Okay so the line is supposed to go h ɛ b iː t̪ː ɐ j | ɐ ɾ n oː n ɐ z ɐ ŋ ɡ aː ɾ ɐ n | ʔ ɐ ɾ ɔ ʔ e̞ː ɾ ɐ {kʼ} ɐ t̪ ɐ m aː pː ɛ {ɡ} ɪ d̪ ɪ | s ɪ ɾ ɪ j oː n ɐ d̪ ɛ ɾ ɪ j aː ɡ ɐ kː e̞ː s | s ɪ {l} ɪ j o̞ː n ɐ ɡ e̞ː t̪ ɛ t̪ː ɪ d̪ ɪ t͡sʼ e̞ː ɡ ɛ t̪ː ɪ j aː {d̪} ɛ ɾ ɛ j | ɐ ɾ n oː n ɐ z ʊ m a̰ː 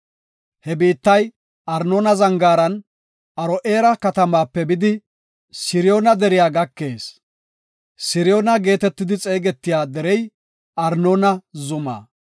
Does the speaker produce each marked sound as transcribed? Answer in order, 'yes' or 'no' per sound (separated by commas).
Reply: no, no, no, yes